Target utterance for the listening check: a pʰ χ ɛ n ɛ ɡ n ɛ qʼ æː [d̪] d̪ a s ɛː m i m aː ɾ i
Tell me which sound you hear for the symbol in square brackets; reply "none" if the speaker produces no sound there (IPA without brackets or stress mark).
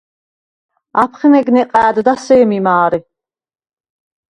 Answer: d̪